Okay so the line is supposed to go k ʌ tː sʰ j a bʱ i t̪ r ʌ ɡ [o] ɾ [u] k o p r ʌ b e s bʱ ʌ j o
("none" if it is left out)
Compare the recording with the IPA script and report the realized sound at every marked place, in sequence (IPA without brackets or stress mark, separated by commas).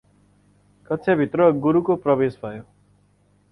u, u